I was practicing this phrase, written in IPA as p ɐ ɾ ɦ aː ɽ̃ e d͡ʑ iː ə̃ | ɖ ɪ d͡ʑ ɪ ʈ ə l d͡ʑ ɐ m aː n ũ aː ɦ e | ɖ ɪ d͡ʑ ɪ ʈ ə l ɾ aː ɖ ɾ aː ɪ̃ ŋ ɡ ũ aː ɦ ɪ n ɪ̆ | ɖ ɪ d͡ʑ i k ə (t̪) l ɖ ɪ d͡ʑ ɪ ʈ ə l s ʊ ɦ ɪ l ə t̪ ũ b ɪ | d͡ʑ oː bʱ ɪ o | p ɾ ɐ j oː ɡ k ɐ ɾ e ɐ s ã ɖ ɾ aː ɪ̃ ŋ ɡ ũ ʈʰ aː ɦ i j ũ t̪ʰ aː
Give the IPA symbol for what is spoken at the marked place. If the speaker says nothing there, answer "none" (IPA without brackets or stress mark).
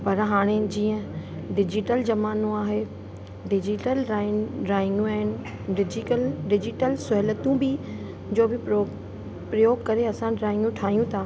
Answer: none